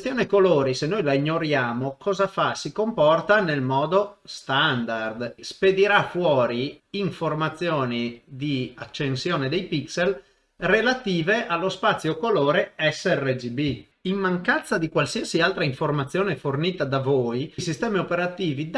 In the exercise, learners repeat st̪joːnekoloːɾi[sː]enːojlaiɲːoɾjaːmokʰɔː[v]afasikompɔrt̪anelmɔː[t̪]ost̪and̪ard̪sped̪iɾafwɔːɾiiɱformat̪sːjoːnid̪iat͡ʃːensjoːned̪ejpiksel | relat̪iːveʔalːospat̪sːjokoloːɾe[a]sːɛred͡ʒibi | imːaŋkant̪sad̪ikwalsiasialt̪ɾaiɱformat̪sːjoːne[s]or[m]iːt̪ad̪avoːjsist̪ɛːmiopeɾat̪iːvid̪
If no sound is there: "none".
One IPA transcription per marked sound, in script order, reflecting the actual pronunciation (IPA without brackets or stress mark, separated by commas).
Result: s, z, d̪, ɛ, f, n